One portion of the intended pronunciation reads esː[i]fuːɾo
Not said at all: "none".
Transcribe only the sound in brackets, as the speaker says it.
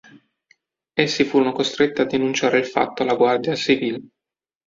i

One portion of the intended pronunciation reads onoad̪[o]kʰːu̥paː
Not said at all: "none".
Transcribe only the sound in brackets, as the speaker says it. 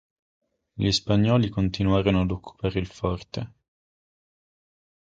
o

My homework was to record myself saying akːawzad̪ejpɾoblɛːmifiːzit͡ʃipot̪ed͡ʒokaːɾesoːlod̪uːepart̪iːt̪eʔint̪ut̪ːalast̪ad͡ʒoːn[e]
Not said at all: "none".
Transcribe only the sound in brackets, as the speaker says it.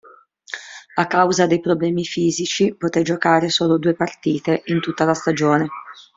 e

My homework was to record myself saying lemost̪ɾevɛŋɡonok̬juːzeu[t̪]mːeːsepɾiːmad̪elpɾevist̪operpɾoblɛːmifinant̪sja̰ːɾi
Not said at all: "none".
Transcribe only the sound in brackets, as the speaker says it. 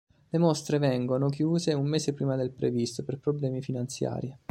none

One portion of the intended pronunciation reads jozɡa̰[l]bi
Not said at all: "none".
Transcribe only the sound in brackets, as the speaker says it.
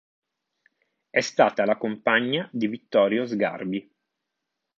r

